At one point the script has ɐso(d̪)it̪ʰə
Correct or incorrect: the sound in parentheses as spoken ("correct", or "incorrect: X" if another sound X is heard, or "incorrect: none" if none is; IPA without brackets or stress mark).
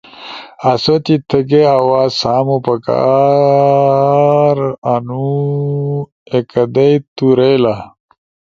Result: incorrect: t̪